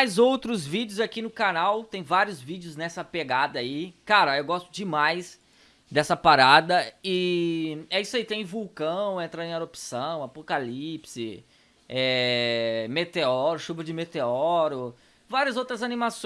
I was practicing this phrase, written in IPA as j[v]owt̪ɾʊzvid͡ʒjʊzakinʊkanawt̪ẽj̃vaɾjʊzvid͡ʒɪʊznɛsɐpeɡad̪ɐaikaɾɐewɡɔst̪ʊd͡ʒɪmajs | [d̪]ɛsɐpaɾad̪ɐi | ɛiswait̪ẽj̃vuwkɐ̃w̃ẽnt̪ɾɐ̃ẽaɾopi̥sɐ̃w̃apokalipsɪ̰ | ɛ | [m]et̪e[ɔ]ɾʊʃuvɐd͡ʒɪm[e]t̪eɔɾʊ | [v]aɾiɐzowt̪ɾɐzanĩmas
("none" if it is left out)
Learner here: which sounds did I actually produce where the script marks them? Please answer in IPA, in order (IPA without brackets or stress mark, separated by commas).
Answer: z, d̪, m, ɔ, e, v